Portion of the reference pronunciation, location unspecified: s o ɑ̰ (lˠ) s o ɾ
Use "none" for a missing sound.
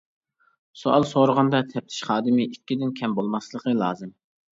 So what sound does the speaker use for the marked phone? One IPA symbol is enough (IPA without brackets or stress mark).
lˠ